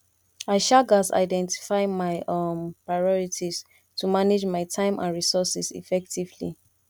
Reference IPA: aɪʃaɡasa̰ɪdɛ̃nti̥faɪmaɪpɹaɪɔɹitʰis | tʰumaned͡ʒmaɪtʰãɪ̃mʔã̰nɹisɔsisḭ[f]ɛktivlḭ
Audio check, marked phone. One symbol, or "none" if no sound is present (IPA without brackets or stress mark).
f